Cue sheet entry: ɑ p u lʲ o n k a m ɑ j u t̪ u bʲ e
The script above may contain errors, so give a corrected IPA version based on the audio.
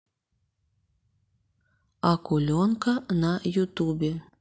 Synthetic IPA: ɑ k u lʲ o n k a n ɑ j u t̪ u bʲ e